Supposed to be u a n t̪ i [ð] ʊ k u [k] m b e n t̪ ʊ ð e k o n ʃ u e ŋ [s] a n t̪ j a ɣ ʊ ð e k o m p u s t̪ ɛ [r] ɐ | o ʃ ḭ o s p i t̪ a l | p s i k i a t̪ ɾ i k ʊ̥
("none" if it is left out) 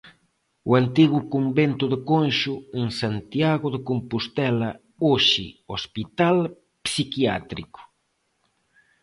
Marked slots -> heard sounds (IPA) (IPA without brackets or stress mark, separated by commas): ɣ, none, s, l